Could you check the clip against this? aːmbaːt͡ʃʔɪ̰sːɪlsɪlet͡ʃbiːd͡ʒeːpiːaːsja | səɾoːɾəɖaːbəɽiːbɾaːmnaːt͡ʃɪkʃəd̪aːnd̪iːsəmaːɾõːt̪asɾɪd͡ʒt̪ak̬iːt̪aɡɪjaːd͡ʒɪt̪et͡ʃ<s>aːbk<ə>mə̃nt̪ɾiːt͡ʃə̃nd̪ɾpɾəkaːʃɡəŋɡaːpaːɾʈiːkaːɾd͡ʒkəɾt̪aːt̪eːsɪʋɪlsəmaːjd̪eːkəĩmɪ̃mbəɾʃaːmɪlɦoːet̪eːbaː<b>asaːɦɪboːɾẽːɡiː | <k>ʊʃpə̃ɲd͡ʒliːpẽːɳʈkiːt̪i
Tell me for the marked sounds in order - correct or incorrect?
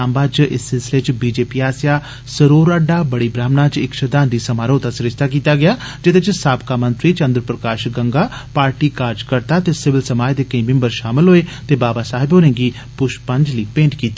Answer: correct, incorrect, correct, incorrect

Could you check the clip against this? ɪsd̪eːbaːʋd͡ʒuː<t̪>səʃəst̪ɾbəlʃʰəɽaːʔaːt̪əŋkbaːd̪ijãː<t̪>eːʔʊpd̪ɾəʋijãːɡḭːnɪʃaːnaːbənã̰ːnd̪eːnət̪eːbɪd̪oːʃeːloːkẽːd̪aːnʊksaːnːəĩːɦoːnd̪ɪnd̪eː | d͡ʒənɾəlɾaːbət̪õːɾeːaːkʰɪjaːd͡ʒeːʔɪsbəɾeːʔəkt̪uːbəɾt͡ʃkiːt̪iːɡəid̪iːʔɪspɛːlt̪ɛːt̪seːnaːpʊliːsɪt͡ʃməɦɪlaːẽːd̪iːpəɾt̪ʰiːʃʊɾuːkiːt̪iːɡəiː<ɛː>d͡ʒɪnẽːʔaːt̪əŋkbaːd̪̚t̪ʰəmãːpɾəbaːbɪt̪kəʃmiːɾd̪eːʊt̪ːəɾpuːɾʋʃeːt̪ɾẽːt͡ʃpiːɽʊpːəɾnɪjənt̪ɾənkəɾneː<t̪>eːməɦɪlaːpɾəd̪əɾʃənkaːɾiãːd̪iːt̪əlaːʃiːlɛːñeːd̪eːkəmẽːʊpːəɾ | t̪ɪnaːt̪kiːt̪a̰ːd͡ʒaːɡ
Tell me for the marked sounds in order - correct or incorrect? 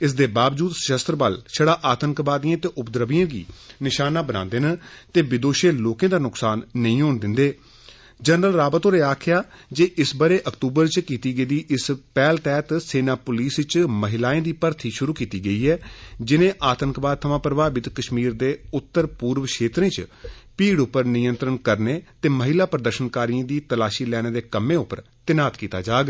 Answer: incorrect, correct, correct, correct

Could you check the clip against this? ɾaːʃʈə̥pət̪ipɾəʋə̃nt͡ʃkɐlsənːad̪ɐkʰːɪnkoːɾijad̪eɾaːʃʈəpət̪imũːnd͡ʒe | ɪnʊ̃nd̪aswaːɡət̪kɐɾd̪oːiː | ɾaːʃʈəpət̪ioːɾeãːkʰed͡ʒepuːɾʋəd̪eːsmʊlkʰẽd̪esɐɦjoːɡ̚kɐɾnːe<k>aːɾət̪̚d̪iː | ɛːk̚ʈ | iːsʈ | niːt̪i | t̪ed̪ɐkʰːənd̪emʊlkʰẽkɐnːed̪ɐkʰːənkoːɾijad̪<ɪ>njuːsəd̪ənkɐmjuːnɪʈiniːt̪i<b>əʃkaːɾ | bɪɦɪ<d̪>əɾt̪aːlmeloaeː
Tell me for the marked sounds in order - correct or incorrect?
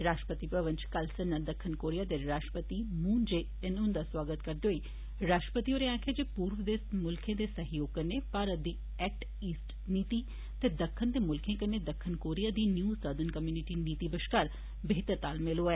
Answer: incorrect, incorrect, correct, incorrect

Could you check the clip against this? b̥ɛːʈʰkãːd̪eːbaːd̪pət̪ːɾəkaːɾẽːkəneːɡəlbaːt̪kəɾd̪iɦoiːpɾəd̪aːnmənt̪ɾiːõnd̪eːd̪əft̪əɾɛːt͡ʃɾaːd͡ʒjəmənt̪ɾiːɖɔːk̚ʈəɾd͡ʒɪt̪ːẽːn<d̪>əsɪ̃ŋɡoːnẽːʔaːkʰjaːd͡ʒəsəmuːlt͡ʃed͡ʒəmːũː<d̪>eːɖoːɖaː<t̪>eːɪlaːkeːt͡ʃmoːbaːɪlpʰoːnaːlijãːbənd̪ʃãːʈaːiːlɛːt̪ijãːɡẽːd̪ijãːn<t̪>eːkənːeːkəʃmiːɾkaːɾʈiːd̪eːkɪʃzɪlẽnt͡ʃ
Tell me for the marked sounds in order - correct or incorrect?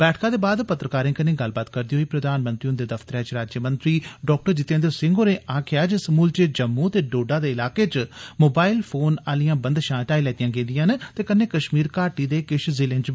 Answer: correct, incorrect, incorrect, correct

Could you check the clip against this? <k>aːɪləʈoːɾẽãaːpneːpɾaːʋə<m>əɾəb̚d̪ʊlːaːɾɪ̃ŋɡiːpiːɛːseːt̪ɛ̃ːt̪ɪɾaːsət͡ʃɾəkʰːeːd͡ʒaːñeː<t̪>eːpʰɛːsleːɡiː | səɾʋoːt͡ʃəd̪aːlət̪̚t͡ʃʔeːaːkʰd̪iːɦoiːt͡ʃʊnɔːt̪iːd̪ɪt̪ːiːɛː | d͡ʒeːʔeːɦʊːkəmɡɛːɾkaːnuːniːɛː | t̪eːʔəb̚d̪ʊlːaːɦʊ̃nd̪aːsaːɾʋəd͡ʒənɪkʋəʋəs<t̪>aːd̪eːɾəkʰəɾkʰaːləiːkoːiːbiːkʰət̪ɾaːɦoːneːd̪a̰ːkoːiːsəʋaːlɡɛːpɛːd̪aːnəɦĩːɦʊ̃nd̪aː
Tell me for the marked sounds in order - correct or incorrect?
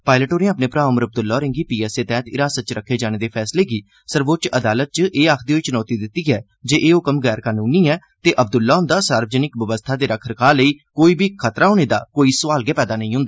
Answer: incorrect, correct, incorrect, incorrect

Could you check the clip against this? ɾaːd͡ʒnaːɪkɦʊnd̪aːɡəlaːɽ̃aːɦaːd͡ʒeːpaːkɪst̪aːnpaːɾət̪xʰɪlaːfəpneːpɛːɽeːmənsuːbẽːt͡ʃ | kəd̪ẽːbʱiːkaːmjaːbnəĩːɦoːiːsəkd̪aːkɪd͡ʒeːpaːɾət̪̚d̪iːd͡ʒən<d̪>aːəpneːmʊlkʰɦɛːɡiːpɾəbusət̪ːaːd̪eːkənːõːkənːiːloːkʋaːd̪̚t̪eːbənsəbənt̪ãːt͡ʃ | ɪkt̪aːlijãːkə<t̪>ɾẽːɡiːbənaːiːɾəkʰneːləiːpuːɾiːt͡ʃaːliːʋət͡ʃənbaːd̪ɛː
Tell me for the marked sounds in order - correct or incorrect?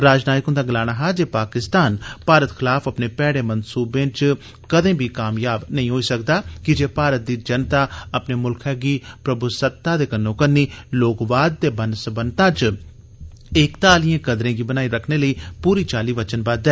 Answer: incorrect, incorrect

